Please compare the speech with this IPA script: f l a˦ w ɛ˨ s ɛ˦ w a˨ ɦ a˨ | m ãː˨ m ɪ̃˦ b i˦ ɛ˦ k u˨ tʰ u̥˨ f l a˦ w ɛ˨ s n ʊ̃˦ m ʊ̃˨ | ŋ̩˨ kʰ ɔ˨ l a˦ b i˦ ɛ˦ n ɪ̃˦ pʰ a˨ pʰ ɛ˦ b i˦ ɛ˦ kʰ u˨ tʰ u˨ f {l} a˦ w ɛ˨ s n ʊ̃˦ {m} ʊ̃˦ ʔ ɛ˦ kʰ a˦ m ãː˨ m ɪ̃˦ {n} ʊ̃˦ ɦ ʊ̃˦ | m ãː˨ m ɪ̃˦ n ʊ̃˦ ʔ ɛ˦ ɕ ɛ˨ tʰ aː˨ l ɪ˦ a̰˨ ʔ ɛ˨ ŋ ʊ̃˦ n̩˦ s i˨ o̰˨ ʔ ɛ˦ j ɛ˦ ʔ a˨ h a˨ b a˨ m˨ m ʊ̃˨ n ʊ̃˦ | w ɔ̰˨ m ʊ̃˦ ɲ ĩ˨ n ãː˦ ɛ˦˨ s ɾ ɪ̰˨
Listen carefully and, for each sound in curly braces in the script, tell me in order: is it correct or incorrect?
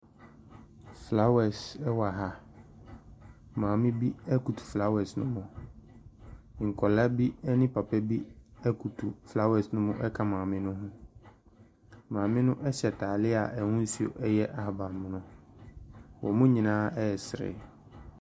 correct, correct, correct

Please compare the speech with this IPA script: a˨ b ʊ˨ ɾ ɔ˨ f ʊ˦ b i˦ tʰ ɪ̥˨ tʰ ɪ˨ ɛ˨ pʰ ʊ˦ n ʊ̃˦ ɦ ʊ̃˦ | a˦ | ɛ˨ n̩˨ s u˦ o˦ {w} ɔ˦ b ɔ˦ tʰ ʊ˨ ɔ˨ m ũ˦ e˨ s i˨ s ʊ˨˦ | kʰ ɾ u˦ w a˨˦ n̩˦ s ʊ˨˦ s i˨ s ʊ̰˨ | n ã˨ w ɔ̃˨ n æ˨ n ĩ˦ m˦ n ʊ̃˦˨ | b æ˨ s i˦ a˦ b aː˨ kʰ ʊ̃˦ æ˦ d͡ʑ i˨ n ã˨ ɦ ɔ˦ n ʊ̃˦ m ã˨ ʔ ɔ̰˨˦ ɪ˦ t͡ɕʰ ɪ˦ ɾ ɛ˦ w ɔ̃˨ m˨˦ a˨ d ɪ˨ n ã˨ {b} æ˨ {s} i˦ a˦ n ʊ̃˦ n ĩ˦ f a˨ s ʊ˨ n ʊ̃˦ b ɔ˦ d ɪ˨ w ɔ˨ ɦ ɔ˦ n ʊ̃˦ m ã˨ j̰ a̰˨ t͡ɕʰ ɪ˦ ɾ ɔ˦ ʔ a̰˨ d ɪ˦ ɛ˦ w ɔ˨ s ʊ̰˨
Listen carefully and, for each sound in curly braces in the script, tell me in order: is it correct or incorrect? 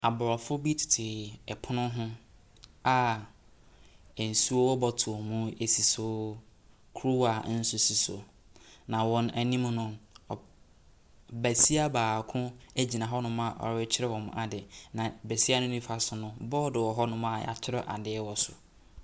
correct, correct, correct

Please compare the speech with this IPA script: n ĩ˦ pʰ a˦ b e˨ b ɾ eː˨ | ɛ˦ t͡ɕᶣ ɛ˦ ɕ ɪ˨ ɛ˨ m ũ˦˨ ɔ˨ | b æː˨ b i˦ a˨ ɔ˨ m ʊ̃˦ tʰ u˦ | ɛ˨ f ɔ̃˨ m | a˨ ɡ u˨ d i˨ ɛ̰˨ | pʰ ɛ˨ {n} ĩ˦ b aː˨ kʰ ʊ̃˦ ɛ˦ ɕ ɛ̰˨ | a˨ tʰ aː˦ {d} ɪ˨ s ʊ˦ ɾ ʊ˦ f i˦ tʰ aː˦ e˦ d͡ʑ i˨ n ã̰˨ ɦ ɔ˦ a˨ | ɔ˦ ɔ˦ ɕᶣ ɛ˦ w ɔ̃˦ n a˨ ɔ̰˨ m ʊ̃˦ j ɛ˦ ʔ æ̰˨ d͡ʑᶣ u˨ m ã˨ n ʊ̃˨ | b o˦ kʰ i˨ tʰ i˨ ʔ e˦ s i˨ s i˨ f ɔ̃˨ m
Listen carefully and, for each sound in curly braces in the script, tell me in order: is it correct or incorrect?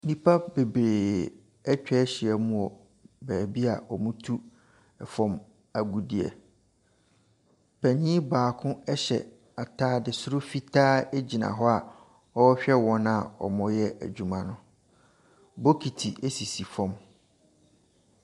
incorrect: ɲ, correct

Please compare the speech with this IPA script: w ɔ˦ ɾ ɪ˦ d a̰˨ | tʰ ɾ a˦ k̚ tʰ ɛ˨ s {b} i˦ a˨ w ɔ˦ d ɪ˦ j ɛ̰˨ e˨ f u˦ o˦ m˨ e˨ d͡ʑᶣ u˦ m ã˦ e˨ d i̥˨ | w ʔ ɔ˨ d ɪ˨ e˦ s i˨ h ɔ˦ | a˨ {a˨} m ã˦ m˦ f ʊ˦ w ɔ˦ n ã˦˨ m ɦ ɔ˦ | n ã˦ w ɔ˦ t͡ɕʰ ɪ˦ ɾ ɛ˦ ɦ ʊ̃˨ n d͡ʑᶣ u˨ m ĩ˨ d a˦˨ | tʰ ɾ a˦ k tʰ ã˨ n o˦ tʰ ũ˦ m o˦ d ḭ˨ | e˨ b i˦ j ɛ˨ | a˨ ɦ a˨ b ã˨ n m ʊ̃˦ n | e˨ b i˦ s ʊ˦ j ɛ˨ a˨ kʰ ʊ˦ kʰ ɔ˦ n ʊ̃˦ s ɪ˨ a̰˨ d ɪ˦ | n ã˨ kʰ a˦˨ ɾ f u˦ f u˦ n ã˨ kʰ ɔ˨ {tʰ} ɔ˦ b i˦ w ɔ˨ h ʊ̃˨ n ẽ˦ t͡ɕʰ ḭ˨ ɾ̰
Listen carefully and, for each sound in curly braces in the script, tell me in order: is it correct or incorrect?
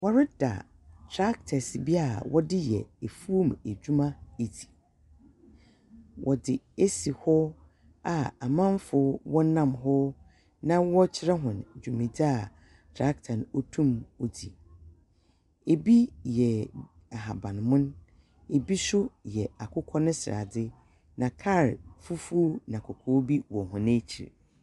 correct, correct, incorrect: kʰ

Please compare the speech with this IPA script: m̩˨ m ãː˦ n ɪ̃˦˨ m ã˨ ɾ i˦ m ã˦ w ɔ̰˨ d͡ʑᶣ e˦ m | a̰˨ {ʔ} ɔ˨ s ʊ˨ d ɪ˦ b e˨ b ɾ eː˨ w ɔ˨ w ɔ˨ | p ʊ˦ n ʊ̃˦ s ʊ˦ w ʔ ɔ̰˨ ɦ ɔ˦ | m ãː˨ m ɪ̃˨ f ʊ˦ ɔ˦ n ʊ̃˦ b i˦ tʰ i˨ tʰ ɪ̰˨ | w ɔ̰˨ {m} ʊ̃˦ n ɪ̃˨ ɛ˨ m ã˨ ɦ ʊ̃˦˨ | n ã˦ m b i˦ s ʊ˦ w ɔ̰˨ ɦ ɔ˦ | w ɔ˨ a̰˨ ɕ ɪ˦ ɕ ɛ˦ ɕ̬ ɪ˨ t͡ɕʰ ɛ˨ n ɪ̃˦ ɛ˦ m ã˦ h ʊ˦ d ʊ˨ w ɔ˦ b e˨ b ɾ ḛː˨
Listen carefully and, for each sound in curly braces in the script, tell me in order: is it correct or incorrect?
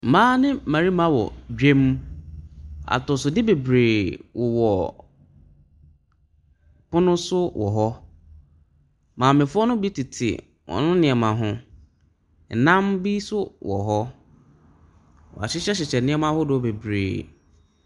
incorrect: t, incorrect: n

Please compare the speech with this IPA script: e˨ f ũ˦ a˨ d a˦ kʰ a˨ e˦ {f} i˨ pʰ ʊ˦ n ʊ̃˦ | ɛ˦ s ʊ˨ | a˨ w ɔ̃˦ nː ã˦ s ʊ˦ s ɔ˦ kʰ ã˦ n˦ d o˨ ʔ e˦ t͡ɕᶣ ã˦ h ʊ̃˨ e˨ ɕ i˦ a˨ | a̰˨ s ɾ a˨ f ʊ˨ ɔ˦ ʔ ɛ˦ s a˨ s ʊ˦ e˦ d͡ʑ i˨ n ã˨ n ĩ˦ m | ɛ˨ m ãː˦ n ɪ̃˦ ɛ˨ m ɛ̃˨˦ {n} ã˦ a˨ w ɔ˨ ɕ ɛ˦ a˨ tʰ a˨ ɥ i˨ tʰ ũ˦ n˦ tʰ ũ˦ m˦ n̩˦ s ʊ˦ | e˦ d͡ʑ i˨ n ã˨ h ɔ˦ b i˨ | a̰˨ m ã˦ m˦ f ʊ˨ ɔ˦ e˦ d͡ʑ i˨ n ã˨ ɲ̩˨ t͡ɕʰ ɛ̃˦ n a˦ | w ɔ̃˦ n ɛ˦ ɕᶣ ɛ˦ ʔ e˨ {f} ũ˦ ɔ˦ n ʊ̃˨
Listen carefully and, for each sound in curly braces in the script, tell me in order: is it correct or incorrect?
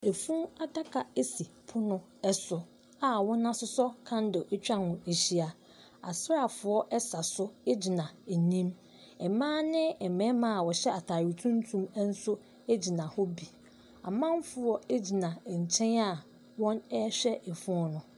incorrect: s, incorrect: m, correct

